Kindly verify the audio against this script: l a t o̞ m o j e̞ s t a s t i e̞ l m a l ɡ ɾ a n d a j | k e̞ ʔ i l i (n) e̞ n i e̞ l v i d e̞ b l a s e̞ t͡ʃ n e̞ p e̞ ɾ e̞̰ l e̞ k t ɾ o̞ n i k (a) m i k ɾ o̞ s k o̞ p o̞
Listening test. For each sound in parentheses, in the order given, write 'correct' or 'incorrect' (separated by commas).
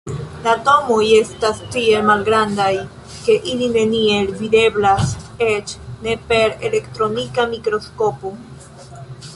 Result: correct, correct